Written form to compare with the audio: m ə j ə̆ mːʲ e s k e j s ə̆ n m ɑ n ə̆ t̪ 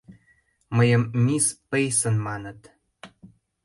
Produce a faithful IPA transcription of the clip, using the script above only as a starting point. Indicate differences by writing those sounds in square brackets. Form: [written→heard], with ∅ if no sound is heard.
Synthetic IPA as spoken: m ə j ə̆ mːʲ [e→i] s [k→p] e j s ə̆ n m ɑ n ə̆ t̪